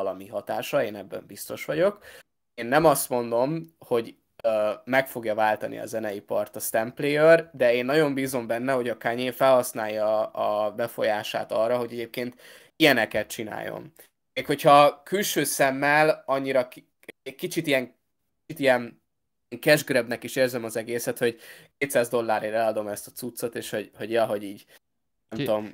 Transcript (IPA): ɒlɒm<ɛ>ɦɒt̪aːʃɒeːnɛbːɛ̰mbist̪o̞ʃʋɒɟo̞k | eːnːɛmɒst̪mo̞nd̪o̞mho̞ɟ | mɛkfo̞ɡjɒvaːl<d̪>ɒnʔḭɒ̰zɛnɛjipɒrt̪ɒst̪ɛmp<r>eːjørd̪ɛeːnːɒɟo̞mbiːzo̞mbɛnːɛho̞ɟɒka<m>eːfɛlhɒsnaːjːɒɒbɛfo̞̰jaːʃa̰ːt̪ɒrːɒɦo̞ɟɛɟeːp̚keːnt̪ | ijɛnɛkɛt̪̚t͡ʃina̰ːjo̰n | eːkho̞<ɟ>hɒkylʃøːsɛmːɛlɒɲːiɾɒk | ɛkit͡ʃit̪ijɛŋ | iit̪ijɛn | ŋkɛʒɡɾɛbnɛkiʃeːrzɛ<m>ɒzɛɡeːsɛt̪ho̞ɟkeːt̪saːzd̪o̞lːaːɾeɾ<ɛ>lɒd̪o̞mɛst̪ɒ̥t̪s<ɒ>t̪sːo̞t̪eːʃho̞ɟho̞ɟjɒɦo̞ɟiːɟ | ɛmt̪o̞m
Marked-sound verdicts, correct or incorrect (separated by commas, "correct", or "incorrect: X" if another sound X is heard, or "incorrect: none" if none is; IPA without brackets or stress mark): incorrect: i, incorrect: t̪, incorrect: l, incorrect: ɲ, incorrect: c, correct, correct, incorrect: u